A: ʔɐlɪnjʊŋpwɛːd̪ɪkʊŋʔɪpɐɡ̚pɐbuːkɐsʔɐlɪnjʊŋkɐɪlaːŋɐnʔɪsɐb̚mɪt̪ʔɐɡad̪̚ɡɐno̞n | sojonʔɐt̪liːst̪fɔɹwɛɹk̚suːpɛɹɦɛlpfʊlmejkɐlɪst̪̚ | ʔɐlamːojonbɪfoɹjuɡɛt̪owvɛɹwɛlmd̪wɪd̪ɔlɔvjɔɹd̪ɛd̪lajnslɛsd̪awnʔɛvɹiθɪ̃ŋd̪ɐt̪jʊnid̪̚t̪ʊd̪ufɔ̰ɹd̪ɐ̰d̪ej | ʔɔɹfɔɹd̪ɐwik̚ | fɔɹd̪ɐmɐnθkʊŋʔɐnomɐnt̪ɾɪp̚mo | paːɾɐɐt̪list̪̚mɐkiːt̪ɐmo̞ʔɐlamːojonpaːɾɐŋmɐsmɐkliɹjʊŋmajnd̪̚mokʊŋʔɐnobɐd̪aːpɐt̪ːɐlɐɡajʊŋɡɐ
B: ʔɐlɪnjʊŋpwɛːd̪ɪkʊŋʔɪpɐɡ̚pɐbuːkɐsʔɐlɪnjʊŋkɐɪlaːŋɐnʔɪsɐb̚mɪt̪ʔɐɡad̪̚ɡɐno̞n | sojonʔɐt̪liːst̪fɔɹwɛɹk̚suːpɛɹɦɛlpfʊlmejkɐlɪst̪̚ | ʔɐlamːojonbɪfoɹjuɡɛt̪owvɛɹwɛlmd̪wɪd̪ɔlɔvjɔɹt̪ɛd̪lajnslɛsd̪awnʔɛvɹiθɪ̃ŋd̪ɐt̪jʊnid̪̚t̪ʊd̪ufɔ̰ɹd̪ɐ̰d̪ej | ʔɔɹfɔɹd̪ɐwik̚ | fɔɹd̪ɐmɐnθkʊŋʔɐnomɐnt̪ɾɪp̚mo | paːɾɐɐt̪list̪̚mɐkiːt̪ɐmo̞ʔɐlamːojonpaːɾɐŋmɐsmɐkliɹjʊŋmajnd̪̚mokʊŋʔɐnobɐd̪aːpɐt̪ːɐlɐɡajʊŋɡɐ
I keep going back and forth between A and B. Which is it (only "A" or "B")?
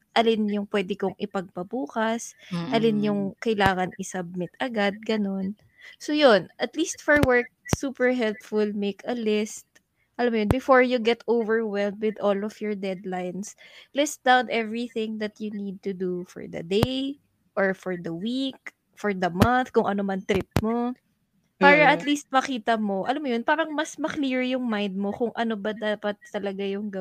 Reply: A